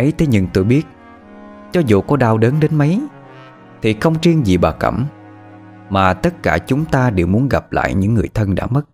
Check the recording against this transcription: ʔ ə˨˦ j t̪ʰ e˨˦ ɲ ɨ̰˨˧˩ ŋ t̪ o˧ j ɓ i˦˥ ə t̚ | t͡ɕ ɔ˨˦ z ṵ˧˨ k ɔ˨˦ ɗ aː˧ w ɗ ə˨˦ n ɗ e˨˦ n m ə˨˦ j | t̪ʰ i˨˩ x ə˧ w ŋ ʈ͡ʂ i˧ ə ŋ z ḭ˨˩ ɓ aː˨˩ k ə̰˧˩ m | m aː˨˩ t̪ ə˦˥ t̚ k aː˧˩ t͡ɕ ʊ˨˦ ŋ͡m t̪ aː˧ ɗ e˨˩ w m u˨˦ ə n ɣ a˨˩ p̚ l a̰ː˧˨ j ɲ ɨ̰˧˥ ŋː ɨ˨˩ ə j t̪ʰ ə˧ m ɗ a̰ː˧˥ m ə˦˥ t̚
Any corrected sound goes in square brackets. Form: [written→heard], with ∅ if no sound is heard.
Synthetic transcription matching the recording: ʔ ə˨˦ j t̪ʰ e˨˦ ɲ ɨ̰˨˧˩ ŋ t̪ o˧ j ɓ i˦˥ ə t̚ | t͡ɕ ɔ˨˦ z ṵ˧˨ k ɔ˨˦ ɗ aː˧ w ɗ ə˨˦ n ɗ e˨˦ n m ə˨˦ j | t̪ʰ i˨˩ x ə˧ w [ŋ→ŋ͡m] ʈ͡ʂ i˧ ə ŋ z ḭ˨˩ ɓ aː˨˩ k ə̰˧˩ m | m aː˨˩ t̪ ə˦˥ t̚ k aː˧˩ t͡ɕ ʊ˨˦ ŋ͡m t̪ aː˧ ɗ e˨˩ w m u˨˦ ə n ɣ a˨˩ p̚ l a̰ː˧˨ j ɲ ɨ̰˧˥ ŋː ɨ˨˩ ə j t̪ʰ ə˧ [m→n] ɗ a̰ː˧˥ m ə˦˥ t̚